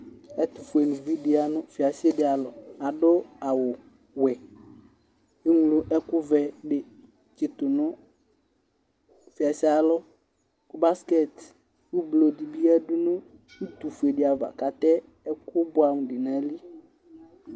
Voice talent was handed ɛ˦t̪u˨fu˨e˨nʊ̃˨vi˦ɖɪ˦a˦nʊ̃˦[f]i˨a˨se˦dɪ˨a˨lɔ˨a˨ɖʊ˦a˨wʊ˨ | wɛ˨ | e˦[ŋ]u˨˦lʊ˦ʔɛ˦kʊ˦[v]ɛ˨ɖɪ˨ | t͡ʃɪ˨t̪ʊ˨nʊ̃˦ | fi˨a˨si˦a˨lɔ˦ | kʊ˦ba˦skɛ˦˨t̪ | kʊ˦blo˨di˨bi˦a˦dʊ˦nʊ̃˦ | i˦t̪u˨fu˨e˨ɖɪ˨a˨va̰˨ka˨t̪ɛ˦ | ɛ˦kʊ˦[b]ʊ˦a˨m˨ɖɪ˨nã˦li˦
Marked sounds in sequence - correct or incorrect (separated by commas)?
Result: correct, correct, correct, correct